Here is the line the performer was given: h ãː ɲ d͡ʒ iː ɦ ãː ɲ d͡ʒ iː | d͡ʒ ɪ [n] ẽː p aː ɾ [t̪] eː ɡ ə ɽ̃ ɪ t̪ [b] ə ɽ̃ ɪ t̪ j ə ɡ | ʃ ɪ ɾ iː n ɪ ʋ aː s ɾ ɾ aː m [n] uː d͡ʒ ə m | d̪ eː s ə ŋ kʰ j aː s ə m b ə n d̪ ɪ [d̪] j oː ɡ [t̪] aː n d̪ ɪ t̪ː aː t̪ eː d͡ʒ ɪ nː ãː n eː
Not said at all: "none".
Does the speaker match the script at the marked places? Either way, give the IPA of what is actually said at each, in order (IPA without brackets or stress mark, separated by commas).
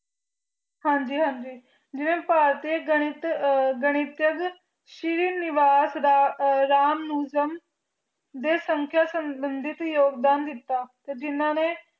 n, t̪, ɡ, n, t̪, d̪